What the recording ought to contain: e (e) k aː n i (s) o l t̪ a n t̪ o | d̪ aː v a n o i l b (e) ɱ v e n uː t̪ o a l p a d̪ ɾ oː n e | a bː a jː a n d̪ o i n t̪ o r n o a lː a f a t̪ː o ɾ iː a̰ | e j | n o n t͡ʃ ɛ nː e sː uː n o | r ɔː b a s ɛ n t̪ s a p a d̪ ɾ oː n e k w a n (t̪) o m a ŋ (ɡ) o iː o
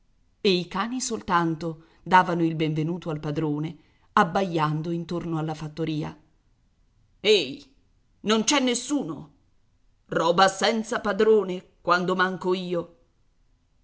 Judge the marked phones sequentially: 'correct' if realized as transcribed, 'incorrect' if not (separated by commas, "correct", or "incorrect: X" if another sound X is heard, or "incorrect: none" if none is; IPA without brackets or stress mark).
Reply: incorrect: i, correct, correct, incorrect: d̪, incorrect: k